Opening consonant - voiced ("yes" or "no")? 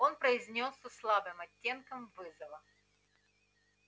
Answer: yes